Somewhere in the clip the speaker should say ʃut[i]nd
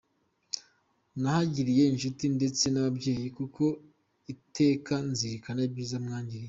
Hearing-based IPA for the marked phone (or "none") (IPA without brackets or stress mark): i